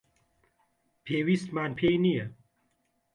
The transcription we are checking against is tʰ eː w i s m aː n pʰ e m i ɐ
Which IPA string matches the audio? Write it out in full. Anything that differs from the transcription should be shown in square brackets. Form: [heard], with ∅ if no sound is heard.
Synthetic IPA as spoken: [pʰ] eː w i s m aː n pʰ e [n] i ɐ